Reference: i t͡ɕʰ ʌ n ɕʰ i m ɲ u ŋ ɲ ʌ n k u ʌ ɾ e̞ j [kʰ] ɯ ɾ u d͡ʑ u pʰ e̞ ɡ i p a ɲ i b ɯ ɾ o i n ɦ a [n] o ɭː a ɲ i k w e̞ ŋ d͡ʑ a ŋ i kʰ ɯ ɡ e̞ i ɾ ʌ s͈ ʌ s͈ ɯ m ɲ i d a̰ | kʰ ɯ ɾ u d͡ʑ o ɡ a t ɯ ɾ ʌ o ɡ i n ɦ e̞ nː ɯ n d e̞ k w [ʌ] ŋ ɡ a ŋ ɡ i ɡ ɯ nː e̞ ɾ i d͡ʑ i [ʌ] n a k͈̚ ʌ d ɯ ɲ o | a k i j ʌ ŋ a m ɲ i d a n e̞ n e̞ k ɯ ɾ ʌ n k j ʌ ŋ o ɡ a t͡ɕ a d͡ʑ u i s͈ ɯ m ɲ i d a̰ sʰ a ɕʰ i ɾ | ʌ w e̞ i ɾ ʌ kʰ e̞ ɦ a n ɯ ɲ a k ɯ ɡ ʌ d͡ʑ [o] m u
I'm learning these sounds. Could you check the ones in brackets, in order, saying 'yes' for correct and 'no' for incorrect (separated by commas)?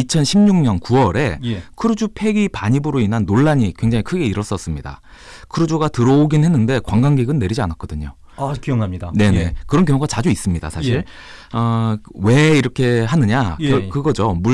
yes, no, no, no, yes